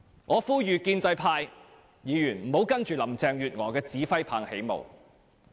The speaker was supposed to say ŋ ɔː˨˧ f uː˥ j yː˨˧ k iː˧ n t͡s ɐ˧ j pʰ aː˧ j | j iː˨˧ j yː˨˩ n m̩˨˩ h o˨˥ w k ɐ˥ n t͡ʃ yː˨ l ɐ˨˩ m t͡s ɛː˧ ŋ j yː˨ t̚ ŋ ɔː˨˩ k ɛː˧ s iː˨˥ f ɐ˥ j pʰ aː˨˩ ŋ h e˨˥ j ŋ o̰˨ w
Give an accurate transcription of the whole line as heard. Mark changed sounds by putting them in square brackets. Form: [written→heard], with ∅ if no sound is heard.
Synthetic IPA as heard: ŋ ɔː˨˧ f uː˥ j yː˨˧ k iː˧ n t͡s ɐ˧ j pʰ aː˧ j | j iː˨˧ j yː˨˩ n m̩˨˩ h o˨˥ w k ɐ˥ n t͡ʃ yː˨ l ɐ˨˩ m t͡s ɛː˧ ŋ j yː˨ t̚ ŋ ɔː˨˩ k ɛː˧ [s→t͡s] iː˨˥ f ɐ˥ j pʰ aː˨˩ ŋ h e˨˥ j [ŋ→m] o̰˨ w

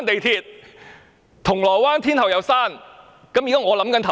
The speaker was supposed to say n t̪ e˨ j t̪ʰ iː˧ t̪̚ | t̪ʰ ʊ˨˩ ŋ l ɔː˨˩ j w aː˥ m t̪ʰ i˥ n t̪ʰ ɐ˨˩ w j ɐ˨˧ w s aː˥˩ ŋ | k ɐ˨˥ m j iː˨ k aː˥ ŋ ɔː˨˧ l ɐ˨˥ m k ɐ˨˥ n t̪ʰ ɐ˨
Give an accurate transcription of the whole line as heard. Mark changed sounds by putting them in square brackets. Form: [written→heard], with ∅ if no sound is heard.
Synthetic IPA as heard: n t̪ e˨ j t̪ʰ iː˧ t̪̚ | t̪ʰ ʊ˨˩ ŋ l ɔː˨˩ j w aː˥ [m→n] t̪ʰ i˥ n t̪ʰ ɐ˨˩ w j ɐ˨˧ w s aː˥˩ [ŋ→n] | k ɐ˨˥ m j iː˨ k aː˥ ŋ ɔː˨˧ l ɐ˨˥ m k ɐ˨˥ n t̪ʰ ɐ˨

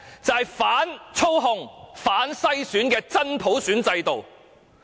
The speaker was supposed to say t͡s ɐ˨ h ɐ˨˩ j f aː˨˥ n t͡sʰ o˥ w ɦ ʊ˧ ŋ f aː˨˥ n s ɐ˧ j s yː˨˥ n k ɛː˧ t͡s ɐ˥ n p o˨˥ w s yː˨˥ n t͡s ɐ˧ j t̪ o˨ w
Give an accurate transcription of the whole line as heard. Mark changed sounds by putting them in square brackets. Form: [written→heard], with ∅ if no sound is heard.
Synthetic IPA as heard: t͡s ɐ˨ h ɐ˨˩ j f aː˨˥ n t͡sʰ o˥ w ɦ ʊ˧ ŋ f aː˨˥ n s [ɐ˧→ɐ˥] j s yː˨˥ n k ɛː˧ t͡s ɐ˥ n [p→pʰ] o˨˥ w s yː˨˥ n t͡s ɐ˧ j t̪ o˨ w

